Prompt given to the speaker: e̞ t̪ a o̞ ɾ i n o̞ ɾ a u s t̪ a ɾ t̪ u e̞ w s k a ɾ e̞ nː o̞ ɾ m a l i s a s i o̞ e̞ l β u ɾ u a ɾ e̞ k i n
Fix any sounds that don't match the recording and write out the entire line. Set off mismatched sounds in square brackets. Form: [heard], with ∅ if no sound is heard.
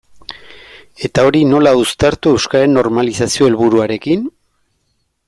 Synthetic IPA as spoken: e̞ t̪ a o̞ ɾ i n o̞ [l] a u s t̪ a ɾ t̪ u e̞ w s k a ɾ e̞ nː o̞ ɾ m a l i s a s i o̞ e̞ l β u ɾ u a ɾ e̞ k i n

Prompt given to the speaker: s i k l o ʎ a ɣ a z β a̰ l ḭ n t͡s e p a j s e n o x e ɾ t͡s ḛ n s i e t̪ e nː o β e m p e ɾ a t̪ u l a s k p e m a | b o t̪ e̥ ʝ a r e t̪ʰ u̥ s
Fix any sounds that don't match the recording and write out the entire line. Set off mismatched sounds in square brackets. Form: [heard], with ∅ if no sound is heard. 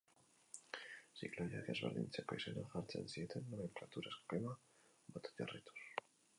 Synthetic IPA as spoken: s i k l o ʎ a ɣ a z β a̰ l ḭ n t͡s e p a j s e n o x [a] ɾ t͡s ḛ n s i e t̪ e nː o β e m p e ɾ a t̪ u [ɾ] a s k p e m a | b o t̪ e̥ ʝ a r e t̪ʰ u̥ s

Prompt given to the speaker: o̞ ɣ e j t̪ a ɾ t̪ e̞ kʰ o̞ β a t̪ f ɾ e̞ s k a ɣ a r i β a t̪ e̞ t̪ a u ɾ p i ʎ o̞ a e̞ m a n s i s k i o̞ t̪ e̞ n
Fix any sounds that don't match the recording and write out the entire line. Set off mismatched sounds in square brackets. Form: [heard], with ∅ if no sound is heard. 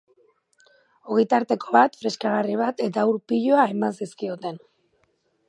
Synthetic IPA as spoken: o̞ ɣ e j t̪ a ɾ t̪ e̞ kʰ o̞ β a t̪ f ɾ e̞ s k a ɣ a r i β a t̪ e̞ t̪ a u ɾ p i ʎ o̞ a e̞ m a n s i s k i o̞ t̪ e̞ n

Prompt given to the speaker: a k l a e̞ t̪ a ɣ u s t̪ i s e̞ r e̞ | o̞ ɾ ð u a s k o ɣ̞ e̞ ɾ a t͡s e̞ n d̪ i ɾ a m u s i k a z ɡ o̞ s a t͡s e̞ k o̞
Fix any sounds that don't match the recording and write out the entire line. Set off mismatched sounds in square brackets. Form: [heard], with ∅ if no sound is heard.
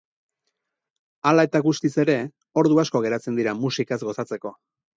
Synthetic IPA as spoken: a [∅] l a e̞ t̪ a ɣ u s t̪ i s e̞ [ɾ] e̞ | o̞ ɾ ð u a s k o ɣ̞ e̞ ɾ a t͡s e̞ n d̪ i ɾ a m u s i k a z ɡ o̞ s a t͡s e̞ k o̞

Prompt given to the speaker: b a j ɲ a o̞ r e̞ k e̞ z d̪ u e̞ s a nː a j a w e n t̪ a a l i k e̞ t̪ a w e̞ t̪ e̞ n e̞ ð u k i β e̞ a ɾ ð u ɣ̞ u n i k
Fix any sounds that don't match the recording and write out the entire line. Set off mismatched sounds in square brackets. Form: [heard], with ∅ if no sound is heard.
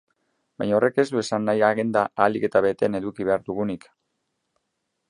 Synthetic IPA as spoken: b a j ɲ a o̞ r e̞ k e̞ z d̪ u e̞ s a nː a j a [ɣ] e n [d̪] a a l i k e̞ t̪ a [β] e̞ t̪ e̞ n e̞ ð u k i β e̞ a ɾ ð u ɣ̞ u n i k

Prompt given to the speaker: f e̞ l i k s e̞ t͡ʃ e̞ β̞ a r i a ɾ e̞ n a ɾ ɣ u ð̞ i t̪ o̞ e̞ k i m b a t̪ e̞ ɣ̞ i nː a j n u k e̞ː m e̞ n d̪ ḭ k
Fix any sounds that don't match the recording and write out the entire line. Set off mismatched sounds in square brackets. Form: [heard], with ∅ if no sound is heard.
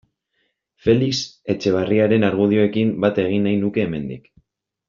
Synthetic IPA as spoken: f e̞ l i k s e̞ t͡ʃ e̞ β̞ a r i a ɾ e̞ n a ɾ ɣ u ð̞ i [∅] o̞ e̞ k i m b a t̪ e̞ ɣ̞ i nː a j n u k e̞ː m e̞ n d̪ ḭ k

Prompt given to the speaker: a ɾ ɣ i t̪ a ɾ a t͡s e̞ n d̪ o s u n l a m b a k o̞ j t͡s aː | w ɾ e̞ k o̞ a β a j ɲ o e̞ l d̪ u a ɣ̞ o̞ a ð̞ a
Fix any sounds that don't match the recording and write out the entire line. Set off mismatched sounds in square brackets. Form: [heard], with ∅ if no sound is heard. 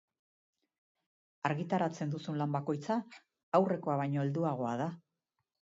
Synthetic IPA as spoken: a ɾ ɣ i t̪ a ɾ a t͡s e̞ n d̪ [u] s u n l a m b a k o̞ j t͡s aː | w [r] e̞ k o̞ a β a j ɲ o e̞ l d̪ u a ɣ̞ o̞ a ð̞ a

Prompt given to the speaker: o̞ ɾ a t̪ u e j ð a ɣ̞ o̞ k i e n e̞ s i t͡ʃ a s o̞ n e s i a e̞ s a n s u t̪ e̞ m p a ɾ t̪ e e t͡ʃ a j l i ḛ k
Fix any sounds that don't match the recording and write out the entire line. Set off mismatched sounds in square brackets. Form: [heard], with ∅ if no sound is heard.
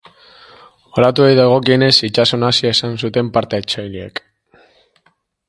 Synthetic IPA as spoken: o̞ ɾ a t̪ u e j ð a ɣ̞ o̞ k i e n e̞ s i t͡ʃ a s o̞ n [a] s i a e̞ s a n s u t̪ e̞ m p a ɾ t̪ e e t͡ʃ a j l i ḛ k

